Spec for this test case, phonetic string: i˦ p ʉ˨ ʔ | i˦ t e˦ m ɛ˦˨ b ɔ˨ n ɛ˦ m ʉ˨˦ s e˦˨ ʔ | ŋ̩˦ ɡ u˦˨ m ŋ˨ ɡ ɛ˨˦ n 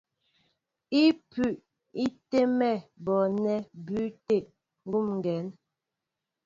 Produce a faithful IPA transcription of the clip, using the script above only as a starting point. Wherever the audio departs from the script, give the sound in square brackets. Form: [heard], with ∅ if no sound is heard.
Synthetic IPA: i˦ p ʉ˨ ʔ | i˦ t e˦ m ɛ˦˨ b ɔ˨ n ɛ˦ [b] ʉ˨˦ [t] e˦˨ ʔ | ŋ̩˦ ɡ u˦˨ m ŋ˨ ɡ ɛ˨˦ n